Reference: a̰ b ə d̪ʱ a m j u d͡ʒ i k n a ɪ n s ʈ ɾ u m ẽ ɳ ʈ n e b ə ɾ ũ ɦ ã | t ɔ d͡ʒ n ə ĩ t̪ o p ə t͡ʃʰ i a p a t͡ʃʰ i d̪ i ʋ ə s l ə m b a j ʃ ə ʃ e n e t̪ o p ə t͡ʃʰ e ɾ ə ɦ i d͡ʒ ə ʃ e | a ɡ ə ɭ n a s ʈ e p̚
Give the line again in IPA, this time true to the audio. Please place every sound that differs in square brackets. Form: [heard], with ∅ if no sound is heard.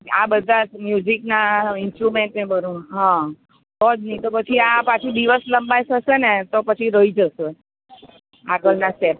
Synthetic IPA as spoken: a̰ b ə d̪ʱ a m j u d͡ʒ i k n a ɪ n s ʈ ɾ u m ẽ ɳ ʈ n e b ə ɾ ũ ɦ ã | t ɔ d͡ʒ n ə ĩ t̪ o p ə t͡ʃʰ i a p a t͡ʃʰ i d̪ i ʋ ə s l ə m b a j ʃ ə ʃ e n e t̪ o p ə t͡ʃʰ [i] ɾ ə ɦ i d͡ʒ ə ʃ e | a ɡ ə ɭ n a s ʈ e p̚